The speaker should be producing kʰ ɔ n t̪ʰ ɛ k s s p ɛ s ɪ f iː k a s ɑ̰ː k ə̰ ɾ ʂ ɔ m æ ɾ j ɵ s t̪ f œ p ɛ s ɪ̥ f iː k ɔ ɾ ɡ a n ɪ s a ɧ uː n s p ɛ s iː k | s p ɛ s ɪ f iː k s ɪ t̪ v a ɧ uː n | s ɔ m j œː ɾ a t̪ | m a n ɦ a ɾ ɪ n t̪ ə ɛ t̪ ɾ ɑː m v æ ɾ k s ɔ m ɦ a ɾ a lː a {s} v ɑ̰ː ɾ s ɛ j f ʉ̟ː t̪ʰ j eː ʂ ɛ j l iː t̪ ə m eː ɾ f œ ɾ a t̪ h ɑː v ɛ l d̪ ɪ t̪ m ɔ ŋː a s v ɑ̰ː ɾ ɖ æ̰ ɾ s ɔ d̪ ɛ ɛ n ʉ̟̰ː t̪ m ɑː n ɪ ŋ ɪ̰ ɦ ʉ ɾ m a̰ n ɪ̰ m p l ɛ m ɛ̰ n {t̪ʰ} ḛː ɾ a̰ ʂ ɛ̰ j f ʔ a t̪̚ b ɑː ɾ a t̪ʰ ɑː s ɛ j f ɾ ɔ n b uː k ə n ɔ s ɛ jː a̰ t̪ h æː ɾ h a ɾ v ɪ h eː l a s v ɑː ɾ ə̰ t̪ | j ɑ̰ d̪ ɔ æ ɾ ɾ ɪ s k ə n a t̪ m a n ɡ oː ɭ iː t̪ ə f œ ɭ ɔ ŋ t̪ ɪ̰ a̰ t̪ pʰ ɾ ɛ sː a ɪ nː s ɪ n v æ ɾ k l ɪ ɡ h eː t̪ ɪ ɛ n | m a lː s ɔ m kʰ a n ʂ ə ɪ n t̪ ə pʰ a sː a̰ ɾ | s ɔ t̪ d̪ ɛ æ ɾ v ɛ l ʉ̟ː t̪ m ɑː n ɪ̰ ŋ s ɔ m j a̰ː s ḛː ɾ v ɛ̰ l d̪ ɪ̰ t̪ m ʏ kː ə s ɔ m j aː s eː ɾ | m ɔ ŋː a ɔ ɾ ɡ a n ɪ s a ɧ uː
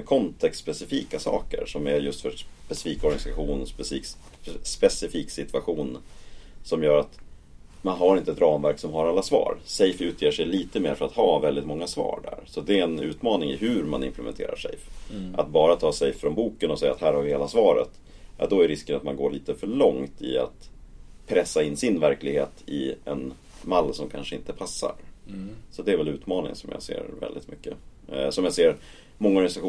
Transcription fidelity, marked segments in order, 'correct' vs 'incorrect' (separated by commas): correct, correct